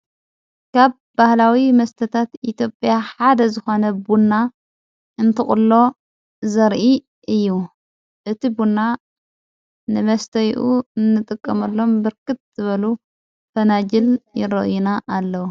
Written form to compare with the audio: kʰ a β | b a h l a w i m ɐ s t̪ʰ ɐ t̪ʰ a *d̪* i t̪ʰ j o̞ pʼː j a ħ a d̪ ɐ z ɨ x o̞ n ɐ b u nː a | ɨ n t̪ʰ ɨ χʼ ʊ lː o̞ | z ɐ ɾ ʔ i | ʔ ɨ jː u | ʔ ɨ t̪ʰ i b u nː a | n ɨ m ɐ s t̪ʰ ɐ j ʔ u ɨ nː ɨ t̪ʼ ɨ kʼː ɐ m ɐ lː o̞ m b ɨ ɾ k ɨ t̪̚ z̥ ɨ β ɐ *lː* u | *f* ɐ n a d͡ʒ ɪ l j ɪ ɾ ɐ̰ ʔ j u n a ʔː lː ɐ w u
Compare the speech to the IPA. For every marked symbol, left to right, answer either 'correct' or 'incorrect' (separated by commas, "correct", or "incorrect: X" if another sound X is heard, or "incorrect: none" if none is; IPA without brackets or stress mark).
incorrect: t̪, incorrect: l, correct